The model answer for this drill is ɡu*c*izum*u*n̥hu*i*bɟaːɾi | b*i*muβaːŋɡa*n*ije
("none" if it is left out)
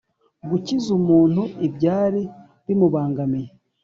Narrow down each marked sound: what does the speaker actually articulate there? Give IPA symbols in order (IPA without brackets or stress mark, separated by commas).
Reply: c, uː, i, i, m